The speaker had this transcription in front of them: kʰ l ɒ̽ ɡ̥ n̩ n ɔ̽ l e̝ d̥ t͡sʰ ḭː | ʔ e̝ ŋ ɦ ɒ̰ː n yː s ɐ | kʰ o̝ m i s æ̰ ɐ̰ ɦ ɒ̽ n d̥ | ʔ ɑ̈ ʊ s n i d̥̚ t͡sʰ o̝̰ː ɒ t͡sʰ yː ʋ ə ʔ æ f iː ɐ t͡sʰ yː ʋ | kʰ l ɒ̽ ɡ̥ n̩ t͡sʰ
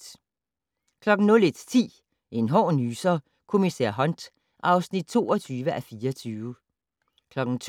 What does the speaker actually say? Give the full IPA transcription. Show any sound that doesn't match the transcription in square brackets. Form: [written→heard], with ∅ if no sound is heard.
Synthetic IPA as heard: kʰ l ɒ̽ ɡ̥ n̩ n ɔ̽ l e̝ d̥ t͡sʰ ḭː | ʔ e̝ [ŋ→n] ɦ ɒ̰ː n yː s ɐ | kʰ o̝ m i s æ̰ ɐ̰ ɦ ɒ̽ n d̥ | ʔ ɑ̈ ʊ s n i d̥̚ t͡sʰ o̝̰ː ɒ t͡sʰ yː ʋ ə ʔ æ f iː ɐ t͡sʰ yː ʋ | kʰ l ɒ̽ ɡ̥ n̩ t͡sʰ

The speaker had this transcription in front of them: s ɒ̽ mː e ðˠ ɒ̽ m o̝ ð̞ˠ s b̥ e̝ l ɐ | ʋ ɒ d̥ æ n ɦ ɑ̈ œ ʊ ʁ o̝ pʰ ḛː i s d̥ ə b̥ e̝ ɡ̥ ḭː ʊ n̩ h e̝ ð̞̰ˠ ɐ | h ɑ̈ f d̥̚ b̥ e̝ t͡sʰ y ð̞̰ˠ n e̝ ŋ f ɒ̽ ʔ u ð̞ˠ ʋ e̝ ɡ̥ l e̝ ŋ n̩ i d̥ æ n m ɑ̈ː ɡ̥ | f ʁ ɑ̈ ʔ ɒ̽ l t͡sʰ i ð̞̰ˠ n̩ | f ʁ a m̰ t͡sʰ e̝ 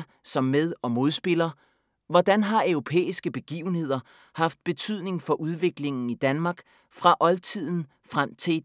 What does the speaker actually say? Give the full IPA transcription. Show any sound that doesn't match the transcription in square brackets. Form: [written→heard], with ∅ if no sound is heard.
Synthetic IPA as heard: s ɒ̽ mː e ðˠ ɒ̽ m o̝ ð̞ˠ s b̥ e̝ l ɐ | ʋ ɒ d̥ æ n ɦ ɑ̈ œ ʊ ʁ o̝ pʰ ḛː i s [d̥→ɡ̥] ə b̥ e̝ ɡ̥ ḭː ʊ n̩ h e̝ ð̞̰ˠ ɐ | h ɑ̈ f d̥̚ b̥ e̝ t͡sʰ y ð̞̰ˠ n e̝ ŋ f ɒ̽ ʔ u ð̞ˠ ʋ e̝ ɡ̥ l e̝ ŋ n̩ i d̥ æ n m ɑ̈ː ɡ̥ | f ʁ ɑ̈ ʔ ɒ̽ l t͡sʰ i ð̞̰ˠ n̩ | f ʁ a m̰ t͡sʰ e̝

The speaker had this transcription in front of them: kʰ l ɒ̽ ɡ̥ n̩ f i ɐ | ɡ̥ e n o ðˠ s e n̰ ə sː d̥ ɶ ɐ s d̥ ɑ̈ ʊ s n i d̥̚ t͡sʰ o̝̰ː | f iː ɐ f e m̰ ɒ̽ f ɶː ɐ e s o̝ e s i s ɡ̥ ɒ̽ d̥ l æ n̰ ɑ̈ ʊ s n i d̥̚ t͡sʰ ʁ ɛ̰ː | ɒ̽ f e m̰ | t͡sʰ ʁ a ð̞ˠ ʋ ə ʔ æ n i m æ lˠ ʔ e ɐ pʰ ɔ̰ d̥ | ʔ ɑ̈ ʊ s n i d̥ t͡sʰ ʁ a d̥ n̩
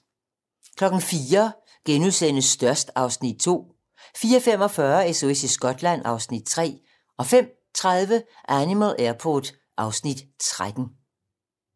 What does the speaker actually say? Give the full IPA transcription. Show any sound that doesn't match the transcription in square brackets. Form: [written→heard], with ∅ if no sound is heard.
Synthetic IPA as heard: kʰ l ɒ̽ ɡ̥ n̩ f [i→iː] ɐ | ɡ̥ e n [o→u] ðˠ s e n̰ ə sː d̥ ɶ ɐ s d̥ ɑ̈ ʊ s n i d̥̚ t͡sʰ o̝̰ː | f iː ɐ f e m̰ ɒ̽ f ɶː ɐ e s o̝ e s i s ɡ̥ ɒ̽ d̥ l æ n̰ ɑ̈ ʊ s n i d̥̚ t͡sʰ ʁ ɛ̰ː | ɒ̽ f e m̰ | t͡sʰ ʁ a ð̞ˠ ʋ ə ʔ æ n i m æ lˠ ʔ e ɐ pʰ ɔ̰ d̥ | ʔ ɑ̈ ʊ s n i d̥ t͡sʰ ʁ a d̥ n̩

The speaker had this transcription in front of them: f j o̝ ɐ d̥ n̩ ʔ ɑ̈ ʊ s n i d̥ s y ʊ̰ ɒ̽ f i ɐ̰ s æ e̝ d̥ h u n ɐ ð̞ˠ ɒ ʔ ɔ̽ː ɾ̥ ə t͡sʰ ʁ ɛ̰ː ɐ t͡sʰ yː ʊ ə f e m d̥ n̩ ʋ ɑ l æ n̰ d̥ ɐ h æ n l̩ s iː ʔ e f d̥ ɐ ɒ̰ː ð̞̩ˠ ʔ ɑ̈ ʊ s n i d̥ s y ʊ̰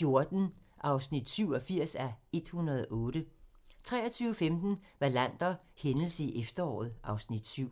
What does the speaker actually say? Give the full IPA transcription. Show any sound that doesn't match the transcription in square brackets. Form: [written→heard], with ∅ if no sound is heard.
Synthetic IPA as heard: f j o̝ ɐ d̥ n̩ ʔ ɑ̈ ʊ s n i d̥ s y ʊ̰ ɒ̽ f i ɐ̰ s æ e̝ d̥ h u n ɐ ð̞ˠ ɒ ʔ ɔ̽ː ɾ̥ ə t͡sʰ ʁ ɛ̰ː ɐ t͡sʰ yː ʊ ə f e m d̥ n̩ ʋ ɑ l æ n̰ d̥ ɐ h [æ→e] n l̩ s [iː→i] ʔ e f d̥ ɐ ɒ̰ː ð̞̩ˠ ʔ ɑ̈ ʊ s n i d̥ s y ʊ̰

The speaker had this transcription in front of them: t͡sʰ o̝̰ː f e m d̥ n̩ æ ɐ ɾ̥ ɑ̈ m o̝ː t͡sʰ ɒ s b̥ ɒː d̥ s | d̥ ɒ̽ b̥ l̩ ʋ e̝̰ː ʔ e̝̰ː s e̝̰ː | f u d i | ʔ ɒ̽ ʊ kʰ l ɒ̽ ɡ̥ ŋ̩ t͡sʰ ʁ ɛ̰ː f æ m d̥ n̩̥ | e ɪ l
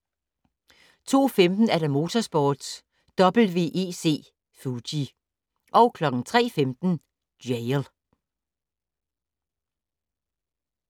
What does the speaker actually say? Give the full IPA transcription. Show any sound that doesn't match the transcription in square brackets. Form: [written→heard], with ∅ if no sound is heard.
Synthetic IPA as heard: t͡sʰ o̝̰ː f e m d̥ n̩ æ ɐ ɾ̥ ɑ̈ m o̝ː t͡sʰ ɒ s b̥ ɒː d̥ s | d̥ ɒ̽ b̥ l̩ ʋ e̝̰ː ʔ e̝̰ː s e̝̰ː | f u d i | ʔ ɒ̽ ʊ kʰ l ɒ̽ ɡ̥ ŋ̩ t͡sʰ ʁ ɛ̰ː f [æ→e] m d̥ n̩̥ | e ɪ l

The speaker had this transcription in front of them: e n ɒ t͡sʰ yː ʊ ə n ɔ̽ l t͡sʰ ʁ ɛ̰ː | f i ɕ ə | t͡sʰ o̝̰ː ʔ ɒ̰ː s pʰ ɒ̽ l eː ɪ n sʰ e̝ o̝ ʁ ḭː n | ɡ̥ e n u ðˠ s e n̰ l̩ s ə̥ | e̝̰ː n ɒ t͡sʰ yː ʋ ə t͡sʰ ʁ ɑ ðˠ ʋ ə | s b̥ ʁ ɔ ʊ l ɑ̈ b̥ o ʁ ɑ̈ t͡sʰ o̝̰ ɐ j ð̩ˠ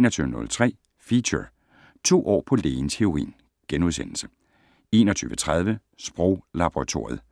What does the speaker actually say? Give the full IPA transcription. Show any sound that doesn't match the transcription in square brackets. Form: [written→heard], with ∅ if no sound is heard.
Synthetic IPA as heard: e n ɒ t͡sʰ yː ʊ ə n ɔ̽ l t͡sʰ ʁ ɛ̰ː | f i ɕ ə | t͡sʰ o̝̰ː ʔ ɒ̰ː [s→∅] pʰ ɒ̽ l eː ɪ n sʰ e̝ o̝ ʁ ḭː n | ɡ̥ e n u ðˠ s e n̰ l̩ s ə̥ | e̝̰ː n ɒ t͡sʰ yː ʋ ə t͡sʰ ʁ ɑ ðˠ ʋ ə | s b̥ ʁ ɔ ʊ l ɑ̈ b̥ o ʁ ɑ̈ t͡sʰ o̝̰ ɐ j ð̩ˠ

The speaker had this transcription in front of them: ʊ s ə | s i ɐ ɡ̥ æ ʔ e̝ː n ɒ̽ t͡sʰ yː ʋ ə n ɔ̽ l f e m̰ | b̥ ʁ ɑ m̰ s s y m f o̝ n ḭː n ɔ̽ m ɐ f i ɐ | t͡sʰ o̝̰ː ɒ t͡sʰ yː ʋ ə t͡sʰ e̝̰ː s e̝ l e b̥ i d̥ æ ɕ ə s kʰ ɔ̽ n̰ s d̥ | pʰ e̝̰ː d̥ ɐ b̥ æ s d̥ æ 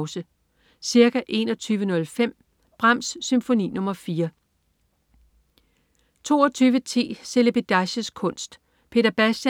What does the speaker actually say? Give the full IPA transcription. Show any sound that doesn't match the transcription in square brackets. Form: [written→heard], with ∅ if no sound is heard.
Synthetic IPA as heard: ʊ s ə | s i ɐ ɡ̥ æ ʔ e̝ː n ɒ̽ t͡sʰ yː ʋ ə n ɔ̽ l f e m̰ | b̥ ʁ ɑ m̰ s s y m f o̝ n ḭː n ɔ̽ m ɐ f [i→iː] ɐ | t͡sʰ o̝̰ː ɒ t͡sʰ yː ʋ ə t͡sʰ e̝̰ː s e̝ l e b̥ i d̥ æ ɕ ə s kʰ ɔ̽ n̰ s d̥ | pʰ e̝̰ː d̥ ɐ b̥ æ s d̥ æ

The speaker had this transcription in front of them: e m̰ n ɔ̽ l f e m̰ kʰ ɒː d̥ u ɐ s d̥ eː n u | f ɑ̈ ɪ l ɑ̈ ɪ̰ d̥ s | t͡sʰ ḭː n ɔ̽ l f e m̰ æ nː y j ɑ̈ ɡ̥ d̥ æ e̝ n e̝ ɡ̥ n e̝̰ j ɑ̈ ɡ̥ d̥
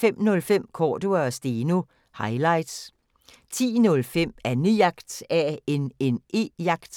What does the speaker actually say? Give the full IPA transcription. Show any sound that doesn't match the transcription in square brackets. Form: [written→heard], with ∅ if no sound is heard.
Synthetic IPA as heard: e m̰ n ɔ̽ l f e m̰ kʰ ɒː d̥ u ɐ s d̥ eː n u | [f→h] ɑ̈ ɪ l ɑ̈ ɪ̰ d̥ s | t͡sʰ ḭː n ɔ̽ l f e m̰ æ [nː→n] y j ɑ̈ ɡ̥ d̥ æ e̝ n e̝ [ɡ̥→∅] n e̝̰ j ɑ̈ ɡ̥ d̥

